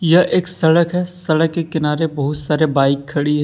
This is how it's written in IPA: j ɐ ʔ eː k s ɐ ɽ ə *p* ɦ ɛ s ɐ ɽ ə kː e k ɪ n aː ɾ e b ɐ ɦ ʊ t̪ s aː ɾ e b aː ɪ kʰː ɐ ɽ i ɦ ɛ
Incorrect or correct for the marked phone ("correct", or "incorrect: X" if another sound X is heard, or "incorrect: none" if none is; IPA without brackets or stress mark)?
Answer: incorrect: k